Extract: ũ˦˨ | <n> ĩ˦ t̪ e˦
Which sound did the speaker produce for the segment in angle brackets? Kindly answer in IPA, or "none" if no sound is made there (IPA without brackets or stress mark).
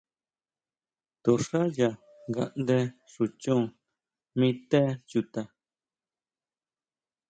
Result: m